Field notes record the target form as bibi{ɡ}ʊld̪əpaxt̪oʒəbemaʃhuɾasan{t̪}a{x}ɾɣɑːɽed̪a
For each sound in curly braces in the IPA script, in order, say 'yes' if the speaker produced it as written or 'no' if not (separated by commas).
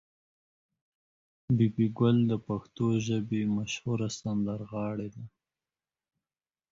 yes, no, no